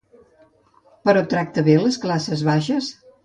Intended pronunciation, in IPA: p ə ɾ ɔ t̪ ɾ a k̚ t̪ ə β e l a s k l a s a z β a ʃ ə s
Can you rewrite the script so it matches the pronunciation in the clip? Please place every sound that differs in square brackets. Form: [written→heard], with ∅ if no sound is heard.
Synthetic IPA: p ə ɾ ɔ t̪ ɾ a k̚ t̪ ə β e l [a→ə] s k l a s [a→ə] z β a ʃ ə s